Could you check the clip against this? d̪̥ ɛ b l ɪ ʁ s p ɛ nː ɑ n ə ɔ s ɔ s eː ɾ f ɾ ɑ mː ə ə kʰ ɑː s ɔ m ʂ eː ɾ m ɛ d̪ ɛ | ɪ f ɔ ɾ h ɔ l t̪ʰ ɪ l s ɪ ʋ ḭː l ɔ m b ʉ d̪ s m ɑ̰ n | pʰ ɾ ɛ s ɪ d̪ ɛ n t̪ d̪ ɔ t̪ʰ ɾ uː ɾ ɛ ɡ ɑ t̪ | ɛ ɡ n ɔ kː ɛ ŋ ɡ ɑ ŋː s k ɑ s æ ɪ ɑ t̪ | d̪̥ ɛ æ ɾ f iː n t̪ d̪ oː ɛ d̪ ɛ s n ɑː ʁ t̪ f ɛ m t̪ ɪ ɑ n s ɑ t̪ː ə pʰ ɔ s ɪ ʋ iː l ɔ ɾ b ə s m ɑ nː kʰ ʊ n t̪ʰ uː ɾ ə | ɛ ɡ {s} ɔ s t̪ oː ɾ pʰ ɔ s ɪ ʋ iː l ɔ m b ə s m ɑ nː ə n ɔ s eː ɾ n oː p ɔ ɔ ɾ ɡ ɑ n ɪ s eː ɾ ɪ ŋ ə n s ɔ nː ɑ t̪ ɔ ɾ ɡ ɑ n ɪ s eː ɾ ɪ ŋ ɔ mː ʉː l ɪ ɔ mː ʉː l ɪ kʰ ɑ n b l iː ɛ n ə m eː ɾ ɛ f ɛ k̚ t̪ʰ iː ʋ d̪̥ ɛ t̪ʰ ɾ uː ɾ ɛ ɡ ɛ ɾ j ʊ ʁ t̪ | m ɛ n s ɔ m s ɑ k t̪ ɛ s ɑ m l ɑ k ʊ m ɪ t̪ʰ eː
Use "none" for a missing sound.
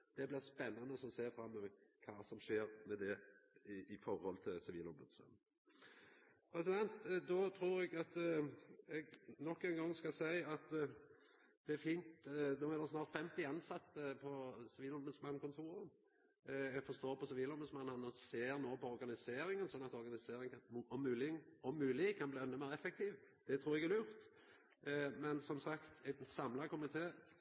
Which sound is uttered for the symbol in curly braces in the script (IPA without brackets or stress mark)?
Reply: f